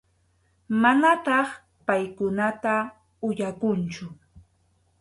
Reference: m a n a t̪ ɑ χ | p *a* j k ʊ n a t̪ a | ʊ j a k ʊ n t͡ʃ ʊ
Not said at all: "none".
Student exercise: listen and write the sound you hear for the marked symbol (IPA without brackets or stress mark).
a